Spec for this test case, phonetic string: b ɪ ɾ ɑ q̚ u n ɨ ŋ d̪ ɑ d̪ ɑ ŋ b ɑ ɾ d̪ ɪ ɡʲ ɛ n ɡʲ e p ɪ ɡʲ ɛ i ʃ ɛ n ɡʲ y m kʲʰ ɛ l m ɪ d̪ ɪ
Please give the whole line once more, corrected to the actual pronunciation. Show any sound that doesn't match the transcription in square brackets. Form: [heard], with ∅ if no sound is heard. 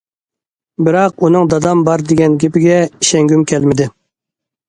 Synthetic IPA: b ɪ ɾ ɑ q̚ u n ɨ ŋ d̪ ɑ d̪ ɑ [m] b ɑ ɾ d̪ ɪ ɡʲ ɛ n ɡʲ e p ɪ ɡʲ ɛ i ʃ ɛ [ŋ] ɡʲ y m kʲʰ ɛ l m ɪ d̪ ɪ